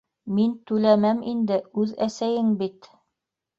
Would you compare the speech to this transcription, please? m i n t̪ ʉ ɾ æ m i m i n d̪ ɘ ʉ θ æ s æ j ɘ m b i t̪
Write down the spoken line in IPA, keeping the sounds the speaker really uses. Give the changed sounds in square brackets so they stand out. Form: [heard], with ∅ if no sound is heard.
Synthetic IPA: m i n t̪ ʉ [l] æ m [æ] m i n d̪ ɘ ʉ [ð] æ s æ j ɘ [ŋ] b i t̪